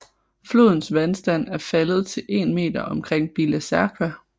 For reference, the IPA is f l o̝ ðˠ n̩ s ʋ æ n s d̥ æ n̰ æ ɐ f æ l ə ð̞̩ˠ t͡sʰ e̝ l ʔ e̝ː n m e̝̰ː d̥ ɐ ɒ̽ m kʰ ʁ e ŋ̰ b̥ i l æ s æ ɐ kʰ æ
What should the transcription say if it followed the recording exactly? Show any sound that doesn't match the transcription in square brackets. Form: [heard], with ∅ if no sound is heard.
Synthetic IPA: f l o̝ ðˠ n̩ s ʋ æ n s d̥ æ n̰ æ ɐ f æ l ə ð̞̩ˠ t͡sʰ e̝ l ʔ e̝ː n m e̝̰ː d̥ ɐ ɒ̽ m kʰ ʁ e ŋ̰ b̥ i l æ s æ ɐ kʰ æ